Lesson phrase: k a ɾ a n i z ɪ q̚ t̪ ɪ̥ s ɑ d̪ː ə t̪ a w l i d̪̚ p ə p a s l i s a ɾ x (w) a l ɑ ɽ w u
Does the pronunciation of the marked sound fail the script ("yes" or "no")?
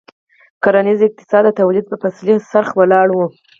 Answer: no